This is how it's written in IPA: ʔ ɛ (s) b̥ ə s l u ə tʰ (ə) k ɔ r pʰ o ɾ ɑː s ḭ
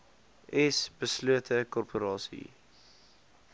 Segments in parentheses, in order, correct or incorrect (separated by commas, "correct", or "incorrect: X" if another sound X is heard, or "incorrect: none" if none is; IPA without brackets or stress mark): correct, correct